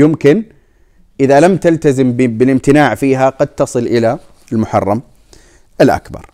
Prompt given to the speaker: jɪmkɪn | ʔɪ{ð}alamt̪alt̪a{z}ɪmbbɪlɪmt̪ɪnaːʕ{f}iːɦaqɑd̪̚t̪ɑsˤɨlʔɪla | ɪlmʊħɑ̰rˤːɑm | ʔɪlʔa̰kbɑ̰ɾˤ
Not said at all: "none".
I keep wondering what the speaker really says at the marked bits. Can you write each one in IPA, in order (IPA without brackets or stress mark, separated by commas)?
ð, z, f